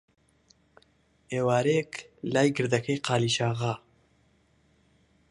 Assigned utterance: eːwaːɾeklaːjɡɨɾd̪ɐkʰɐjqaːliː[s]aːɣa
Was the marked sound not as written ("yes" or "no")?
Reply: yes